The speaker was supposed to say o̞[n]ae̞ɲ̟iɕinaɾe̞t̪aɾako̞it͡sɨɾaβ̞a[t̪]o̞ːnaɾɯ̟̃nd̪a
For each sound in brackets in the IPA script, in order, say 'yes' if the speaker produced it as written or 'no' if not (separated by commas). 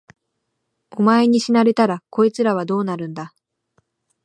no, no